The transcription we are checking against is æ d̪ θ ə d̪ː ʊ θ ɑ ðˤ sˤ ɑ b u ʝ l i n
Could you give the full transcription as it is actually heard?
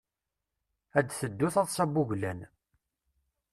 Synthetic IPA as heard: æ d̪ θ ə d̪ː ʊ θ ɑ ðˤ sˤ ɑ b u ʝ l æ n